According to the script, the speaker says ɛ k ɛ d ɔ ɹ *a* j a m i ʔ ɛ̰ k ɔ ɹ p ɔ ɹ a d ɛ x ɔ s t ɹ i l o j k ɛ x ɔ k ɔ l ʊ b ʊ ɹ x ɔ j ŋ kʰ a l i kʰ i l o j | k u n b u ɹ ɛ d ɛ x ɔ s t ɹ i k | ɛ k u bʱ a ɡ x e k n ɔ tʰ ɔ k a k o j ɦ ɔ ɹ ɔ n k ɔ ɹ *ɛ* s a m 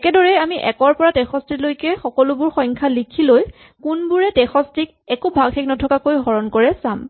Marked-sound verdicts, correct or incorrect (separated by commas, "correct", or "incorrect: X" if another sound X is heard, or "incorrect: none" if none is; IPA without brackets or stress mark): incorrect: ɛ, correct